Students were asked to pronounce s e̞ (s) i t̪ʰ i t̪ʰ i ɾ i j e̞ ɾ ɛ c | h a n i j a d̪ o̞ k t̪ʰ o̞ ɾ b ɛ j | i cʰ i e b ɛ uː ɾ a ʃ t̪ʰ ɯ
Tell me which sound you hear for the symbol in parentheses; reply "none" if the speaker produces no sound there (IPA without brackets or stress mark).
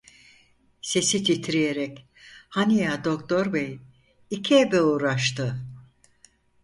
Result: s